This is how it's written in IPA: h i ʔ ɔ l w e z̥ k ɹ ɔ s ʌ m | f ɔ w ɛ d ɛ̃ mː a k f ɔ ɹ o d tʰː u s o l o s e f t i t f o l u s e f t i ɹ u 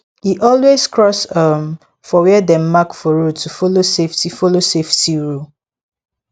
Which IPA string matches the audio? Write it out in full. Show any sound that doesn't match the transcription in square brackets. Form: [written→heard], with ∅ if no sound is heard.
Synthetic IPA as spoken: h i ʔ ɔ l w e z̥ k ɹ ɔ s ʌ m | f ɔ w ɛ d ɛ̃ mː a k f ɔ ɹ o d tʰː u [s→f] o l o s e f t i [t→∅] f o l [u→o] s e f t i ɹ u